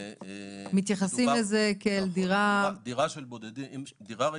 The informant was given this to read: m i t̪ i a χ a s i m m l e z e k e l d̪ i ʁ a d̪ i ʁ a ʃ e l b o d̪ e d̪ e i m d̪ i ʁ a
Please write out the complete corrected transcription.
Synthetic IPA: m i t̪ j a χ a s i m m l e z e k e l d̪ i ʁ a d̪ i ʁ a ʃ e l b o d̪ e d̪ i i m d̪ i ʁ a